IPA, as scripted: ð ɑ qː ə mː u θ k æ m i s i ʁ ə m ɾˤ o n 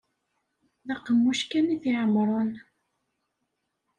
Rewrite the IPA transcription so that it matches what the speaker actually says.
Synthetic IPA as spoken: ð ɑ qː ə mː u ʃ k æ n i θ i ʕ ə m ɾˤ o n

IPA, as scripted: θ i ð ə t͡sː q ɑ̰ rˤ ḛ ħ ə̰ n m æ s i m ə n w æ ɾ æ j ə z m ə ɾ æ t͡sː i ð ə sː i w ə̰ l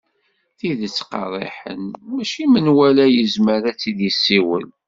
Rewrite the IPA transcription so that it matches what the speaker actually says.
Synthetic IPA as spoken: θ i ð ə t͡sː q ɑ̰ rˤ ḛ ħ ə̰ n m æ ʃ i m ə n w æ l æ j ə z m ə ɾ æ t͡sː i ð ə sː i w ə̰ l

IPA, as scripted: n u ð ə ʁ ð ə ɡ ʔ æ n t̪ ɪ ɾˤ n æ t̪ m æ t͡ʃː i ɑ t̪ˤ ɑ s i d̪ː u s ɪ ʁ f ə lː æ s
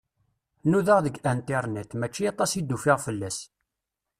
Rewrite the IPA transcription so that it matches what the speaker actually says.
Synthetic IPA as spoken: n u ð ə ʁ ð ə ɡ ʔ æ n t̪ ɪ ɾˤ n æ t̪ m æ t͡ʃː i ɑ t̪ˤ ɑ s i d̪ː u f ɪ ʁ f ə lː æ s

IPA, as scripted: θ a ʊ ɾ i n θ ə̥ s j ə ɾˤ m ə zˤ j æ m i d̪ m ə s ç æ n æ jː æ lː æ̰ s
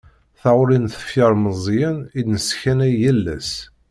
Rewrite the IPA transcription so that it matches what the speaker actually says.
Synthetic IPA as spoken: θ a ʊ ɾ i n θ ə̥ f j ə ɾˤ m ə zˤ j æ n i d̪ n ə s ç æ n æ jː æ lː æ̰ s

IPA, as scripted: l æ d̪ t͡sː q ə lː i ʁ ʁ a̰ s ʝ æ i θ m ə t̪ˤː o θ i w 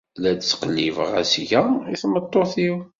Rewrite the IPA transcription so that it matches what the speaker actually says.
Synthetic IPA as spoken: l æ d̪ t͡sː q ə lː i v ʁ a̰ s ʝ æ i θ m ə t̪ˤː o θ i w

